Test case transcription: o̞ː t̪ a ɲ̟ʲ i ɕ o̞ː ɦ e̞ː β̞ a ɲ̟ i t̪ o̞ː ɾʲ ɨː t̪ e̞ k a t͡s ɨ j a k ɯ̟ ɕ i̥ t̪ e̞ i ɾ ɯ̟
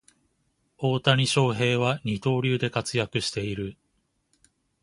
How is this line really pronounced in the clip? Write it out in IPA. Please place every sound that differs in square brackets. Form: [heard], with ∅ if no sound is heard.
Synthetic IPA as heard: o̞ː t̪ a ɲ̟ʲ i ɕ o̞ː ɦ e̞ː β̞ a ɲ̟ i t̪ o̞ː ɾʲ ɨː [d̪] e̞ k a t͡s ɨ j a k ɯ̟ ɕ i̥ t̪ e̞ i ɾ ɯ̟